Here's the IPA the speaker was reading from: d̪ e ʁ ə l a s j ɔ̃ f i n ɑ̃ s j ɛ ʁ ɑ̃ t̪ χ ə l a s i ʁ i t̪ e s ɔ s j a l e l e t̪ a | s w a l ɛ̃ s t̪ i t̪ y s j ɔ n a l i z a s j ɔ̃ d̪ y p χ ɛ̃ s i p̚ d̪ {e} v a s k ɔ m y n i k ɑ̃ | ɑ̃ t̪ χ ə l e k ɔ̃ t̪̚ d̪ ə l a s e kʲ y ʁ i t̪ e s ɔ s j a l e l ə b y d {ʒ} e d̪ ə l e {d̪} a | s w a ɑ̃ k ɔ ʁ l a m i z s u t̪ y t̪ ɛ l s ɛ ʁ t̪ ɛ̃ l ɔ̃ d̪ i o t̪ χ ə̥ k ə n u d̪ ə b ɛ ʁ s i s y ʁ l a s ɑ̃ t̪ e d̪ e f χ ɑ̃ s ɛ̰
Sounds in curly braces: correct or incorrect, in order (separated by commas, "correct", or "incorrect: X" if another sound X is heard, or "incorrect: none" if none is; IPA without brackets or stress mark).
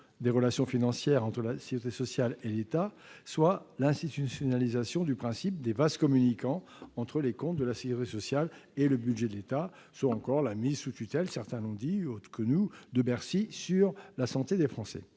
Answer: correct, correct, incorrect: t̪